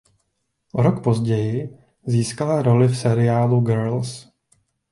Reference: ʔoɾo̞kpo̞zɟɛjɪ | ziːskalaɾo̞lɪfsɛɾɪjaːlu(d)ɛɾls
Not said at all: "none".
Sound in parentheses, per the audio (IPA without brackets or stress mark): ɡ